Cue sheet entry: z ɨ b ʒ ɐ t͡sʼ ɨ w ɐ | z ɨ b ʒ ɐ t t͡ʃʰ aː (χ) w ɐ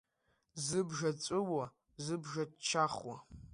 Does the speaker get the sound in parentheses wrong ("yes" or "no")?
no